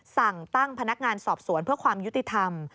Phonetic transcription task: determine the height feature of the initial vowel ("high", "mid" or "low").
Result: low